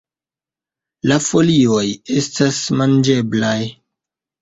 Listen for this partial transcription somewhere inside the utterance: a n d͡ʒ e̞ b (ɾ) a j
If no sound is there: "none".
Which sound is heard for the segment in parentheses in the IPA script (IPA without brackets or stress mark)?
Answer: l